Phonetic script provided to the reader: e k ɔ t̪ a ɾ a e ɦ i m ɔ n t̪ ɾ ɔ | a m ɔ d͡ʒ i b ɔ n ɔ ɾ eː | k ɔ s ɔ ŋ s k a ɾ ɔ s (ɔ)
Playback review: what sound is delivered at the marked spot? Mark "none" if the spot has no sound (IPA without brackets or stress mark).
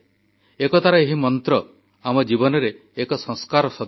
ɔ